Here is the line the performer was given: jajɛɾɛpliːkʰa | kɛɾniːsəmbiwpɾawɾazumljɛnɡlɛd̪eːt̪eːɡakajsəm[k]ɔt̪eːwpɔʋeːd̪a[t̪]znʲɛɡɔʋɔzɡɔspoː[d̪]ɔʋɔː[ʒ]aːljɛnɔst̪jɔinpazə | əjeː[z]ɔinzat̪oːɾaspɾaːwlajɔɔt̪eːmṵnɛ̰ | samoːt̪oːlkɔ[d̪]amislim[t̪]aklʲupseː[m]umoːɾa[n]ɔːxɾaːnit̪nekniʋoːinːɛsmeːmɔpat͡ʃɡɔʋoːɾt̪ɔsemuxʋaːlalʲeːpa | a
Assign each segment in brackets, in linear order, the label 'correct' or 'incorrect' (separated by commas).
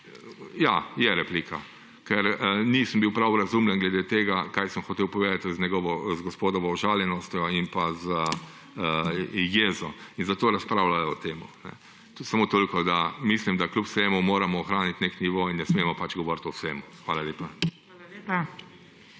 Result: incorrect, correct, correct, correct, correct, correct, incorrect, correct, incorrect